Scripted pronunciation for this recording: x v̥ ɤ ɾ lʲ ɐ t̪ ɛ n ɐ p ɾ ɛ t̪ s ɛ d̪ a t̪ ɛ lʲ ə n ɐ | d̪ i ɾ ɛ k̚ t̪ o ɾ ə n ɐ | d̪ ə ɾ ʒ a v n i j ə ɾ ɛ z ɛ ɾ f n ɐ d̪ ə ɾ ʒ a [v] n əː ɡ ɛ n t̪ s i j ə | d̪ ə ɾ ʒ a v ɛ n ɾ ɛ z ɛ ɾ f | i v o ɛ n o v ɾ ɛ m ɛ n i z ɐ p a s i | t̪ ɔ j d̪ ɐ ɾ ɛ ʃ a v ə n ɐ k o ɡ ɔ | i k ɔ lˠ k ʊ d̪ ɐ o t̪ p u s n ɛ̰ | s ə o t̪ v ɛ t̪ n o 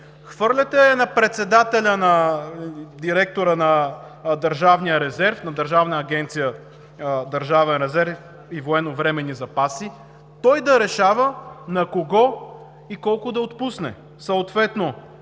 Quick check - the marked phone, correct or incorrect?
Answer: correct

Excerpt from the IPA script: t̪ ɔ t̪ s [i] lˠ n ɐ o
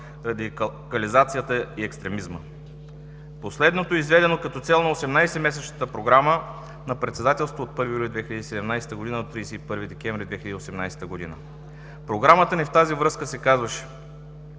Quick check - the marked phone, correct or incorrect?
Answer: incorrect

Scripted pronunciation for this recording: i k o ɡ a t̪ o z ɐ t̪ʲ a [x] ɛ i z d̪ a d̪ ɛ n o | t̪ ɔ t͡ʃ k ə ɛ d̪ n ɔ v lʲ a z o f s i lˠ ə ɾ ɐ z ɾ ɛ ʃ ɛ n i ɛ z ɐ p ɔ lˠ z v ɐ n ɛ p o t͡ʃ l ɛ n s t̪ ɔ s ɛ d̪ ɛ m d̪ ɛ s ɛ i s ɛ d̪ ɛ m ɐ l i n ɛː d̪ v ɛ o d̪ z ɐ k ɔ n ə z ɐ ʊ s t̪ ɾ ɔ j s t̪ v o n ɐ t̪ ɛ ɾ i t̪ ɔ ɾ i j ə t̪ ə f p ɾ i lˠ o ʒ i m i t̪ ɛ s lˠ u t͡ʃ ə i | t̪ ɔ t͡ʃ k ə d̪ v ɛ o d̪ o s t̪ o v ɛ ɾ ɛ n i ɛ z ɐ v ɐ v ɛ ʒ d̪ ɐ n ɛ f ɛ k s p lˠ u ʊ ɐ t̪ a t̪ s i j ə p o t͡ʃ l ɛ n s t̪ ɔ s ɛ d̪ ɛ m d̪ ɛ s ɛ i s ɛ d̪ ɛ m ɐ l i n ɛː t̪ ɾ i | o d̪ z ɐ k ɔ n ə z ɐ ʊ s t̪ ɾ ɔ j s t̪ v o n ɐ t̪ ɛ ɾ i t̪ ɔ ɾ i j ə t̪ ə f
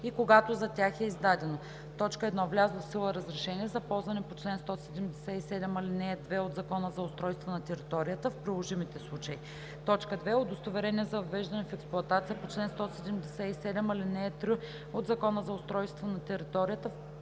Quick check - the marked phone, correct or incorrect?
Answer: correct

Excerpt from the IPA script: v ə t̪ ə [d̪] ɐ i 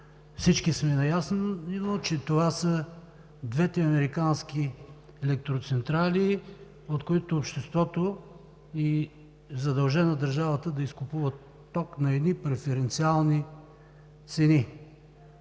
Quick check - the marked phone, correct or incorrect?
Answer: correct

